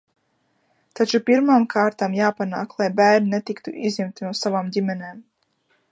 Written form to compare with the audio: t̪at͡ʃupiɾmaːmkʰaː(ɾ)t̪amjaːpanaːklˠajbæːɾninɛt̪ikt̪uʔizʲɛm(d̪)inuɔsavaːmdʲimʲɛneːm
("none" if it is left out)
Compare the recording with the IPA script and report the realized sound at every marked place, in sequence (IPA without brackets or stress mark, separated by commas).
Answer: ɾ, t̪